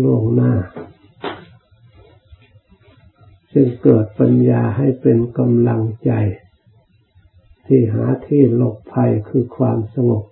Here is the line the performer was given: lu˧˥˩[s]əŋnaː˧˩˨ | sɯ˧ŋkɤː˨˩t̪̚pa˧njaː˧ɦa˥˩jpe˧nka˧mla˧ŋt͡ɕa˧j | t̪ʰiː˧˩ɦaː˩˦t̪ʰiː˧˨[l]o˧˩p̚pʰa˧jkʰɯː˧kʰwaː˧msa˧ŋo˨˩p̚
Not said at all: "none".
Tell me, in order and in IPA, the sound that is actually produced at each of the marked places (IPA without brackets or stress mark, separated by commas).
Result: none, l